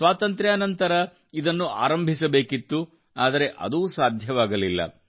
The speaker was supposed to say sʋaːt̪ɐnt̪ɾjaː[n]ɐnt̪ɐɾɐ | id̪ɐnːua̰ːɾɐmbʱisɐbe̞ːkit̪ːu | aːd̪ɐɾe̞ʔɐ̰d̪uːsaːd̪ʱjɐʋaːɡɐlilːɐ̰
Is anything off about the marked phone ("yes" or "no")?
no